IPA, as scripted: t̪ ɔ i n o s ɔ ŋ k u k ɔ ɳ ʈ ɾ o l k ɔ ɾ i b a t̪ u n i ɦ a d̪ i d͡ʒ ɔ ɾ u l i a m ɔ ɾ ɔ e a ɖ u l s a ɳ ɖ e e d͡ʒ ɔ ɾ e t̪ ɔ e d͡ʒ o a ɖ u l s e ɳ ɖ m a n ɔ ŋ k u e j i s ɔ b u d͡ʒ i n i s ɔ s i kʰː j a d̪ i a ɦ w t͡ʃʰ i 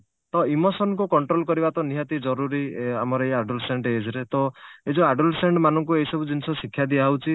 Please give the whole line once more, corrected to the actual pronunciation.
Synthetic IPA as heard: t̪ ɔ i m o s ɔ n k u k ɔ ɳ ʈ ɾ o l k ɔ ɾ i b a t̪ ɔ n i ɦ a t̪ i d͡ʒ ɔ ɾ u ɾ i a m ɔ ɾ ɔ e a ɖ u l s e ɳ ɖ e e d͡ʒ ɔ ɾ e t̪ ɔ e d͡ʒ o a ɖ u l s e ɳ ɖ m a n ɔ ŋ k u e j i s ɔ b u d͡ʒ i n i s ɔ s i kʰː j a d̪ i a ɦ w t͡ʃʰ i